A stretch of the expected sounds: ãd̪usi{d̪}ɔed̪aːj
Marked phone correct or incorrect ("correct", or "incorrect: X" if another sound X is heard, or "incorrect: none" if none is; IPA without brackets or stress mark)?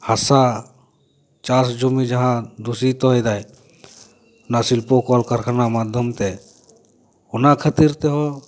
incorrect: t̪